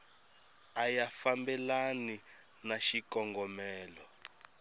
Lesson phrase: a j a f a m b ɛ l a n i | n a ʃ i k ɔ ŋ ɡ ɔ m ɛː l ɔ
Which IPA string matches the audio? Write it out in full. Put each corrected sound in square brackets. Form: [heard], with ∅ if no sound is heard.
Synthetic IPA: a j a f a m b ɛ l a n i | n a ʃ i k ɔ ŋ ɡ ɔ m ɛː l ɔ

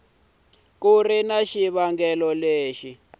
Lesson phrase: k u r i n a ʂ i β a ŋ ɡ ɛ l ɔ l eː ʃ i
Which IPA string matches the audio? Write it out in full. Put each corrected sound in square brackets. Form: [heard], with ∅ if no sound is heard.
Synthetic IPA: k u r i n a [ʃ] i β a ŋ ɡ ɛ l ɔ l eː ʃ i

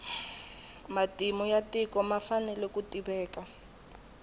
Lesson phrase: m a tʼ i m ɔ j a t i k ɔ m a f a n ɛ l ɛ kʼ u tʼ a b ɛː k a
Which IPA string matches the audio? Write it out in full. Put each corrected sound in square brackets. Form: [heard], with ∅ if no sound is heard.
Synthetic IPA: m a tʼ i m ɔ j a t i k ɔ m a f a n ɛ l ɛ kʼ u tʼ [i] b ɛː k a

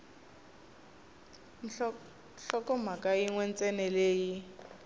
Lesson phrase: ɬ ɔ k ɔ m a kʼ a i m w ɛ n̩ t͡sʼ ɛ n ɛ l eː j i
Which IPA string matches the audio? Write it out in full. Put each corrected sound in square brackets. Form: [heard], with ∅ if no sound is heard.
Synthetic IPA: ɬ ɔ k ɔ m a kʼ a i [ŋ] w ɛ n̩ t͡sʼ ɛ n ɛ l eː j i

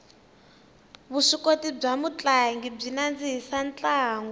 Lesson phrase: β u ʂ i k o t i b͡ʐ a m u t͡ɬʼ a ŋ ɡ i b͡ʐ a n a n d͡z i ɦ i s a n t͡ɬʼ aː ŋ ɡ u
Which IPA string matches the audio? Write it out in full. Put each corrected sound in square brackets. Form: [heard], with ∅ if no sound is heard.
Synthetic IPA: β u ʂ i k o t i b͡ʐ a m u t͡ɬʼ a ŋ ɡ i b͡ʐ [i] n a n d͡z i ɦ i s a n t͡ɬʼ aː ŋ ɡ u

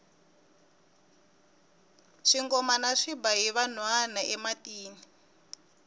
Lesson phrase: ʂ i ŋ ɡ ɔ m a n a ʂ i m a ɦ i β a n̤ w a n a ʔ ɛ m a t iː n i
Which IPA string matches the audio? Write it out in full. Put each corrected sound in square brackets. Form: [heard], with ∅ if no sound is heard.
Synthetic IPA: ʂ i ŋ ɡ ɔ m a n a ʂ i [b] a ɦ i β a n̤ w a n a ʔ ɛ m a t iː n i

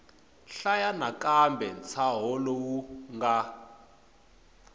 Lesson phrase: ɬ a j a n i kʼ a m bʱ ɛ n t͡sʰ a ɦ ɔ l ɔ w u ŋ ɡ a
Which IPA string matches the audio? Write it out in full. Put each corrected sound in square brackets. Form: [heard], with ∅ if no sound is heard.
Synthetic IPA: ɬ a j a n [a] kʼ a m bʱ ɛ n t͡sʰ a ɦ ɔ l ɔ w u ŋ ɡ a

